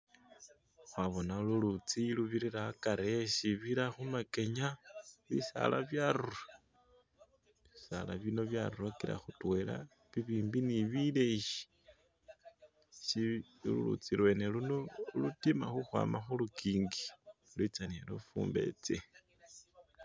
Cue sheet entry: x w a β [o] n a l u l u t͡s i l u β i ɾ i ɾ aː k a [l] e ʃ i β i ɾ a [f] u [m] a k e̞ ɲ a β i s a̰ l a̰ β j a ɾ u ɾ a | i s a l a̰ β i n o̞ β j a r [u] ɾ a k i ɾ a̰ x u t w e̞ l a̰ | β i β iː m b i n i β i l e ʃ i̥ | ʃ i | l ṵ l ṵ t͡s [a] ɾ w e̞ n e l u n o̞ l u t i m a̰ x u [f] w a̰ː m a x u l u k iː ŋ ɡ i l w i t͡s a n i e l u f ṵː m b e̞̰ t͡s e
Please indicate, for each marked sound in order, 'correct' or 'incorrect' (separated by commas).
correct, incorrect, incorrect, correct, correct, incorrect, incorrect